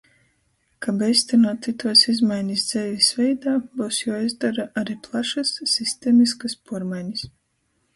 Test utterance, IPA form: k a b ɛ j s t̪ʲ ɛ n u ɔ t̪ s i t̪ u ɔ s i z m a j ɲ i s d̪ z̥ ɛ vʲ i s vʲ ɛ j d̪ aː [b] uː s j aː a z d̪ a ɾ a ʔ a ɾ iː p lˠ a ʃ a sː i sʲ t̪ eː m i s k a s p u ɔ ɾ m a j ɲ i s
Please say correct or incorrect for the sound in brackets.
correct